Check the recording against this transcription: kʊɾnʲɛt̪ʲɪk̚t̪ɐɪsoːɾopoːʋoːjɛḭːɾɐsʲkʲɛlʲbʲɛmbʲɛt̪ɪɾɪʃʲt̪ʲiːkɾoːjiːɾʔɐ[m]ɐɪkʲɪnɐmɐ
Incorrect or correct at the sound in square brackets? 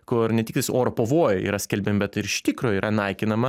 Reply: incorrect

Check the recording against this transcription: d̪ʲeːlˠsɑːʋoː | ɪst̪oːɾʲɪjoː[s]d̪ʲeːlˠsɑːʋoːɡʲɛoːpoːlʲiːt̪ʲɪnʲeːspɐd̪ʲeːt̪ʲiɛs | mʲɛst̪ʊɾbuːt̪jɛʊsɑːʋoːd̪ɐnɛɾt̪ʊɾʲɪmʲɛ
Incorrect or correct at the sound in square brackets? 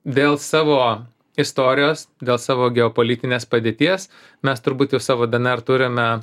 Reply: correct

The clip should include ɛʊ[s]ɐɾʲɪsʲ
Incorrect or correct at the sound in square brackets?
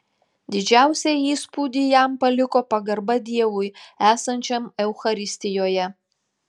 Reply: incorrect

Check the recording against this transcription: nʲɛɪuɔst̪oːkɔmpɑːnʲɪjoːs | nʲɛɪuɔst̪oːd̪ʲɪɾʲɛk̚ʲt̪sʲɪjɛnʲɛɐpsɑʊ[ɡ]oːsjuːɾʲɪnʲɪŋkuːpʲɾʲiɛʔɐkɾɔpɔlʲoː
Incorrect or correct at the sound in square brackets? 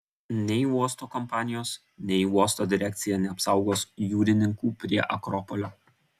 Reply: correct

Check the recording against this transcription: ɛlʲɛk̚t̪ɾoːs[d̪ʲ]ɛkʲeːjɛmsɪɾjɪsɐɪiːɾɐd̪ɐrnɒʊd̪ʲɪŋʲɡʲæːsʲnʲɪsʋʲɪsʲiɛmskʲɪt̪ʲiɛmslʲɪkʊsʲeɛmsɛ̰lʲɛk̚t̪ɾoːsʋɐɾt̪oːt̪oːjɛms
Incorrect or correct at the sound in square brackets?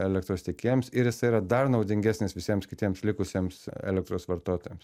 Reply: incorrect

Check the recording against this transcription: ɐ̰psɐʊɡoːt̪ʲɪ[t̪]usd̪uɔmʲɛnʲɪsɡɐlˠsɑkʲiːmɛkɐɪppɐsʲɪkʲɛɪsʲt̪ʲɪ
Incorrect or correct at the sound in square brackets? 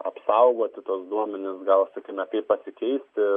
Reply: correct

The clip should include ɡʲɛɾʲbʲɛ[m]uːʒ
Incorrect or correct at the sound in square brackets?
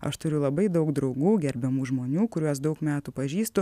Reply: correct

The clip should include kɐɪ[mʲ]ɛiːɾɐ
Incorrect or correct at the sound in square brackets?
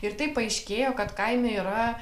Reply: correct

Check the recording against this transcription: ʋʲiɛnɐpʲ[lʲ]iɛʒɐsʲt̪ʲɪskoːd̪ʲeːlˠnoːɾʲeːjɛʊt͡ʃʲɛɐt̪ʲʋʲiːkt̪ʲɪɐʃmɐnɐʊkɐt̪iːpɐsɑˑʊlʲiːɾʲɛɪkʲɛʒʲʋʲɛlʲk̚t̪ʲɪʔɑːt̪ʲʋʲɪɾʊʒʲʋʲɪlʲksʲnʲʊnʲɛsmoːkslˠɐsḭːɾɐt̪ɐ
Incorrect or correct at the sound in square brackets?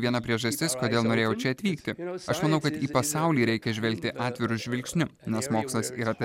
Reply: incorrect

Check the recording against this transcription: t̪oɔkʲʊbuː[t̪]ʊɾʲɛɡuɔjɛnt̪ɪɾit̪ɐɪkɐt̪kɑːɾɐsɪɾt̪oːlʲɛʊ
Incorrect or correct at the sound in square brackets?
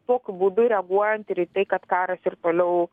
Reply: incorrect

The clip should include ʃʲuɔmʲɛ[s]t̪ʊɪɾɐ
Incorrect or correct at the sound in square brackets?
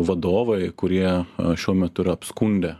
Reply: incorrect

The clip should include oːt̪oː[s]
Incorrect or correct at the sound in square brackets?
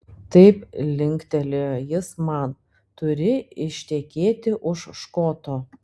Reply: incorrect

